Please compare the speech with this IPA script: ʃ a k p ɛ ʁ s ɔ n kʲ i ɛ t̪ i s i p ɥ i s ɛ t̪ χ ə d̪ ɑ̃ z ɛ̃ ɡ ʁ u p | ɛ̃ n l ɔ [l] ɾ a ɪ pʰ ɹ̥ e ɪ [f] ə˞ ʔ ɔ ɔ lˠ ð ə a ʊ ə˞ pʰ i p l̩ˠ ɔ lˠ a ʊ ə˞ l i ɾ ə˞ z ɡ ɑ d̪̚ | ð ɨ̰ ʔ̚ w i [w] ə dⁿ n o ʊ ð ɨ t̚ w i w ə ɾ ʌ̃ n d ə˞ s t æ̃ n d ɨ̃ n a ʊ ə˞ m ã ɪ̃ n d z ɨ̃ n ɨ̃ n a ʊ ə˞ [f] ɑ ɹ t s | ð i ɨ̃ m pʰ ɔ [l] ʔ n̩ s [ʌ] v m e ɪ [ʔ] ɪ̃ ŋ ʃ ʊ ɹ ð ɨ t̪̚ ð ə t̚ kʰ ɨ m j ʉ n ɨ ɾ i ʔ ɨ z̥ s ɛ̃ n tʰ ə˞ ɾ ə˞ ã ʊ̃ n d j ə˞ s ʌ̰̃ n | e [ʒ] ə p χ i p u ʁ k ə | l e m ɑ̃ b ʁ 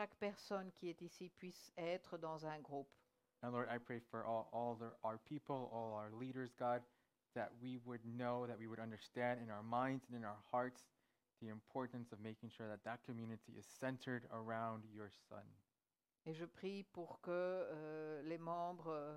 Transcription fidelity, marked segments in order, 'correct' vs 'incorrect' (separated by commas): incorrect, correct, correct, incorrect, incorrect, correct, incorrect, correct